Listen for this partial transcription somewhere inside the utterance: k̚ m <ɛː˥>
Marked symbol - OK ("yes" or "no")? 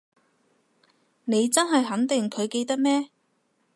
yes